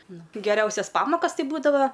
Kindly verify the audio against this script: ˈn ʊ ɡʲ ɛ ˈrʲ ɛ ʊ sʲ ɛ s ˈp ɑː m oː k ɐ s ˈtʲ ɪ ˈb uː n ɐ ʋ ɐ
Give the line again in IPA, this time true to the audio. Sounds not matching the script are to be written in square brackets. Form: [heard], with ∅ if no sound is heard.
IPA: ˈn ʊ ɡʲ ɛ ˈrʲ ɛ ʊ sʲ ɛ s ˈp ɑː m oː k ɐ s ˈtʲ ɪ ˈb uː [d] ɐ ʋ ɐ